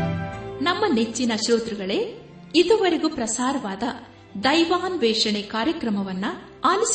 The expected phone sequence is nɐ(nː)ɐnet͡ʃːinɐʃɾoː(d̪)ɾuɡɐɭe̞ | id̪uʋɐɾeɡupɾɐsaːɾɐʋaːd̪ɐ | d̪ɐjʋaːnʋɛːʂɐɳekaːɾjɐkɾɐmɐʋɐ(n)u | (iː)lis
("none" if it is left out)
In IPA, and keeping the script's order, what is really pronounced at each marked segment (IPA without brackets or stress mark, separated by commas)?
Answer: mː, t̪, nː, aː